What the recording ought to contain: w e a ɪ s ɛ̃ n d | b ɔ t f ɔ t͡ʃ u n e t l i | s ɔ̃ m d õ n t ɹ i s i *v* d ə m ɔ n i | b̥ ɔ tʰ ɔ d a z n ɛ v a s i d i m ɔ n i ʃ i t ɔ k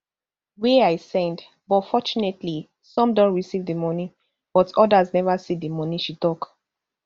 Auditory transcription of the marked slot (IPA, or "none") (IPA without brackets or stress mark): v